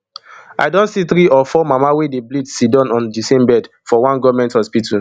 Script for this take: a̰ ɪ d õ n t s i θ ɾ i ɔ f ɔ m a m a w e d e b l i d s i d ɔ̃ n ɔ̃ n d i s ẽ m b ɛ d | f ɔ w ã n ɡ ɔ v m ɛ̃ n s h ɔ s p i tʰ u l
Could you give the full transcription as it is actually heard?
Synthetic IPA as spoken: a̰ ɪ d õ n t s i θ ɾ i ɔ f ɔ m a m a w e d e b l i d s i d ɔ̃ n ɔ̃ n d i s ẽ m b ɛ d | f ɔ w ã n ɡ ɔ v m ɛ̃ n t h ɔ s p i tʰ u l